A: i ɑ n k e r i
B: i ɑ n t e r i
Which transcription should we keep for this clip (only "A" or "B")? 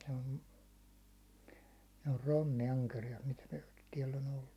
A